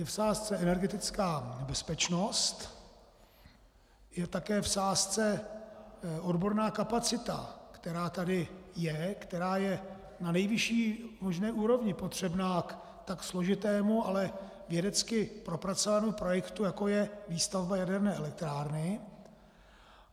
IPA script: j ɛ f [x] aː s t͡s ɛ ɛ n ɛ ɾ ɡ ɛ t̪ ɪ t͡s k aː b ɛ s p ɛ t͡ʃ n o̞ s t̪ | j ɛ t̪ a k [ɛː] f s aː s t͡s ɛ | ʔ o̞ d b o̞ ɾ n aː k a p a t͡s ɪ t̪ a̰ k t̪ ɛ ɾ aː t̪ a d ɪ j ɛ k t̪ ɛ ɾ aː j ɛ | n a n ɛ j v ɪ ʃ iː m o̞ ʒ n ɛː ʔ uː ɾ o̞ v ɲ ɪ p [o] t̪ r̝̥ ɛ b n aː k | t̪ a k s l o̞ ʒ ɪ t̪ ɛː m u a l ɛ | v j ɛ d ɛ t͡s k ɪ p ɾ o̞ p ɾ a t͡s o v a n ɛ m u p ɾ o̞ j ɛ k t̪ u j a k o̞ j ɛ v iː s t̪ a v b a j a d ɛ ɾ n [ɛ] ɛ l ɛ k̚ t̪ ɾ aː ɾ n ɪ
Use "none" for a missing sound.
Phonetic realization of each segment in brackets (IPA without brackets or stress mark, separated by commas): s, ɛː, o, ɛː